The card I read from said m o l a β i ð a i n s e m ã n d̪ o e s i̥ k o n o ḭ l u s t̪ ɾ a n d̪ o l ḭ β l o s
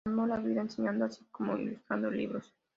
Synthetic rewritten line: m o l a β i ð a e n s e ɲ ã n d̪ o a s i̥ k o m o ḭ l u s t̪ ɾ a n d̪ o l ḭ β ɾ o s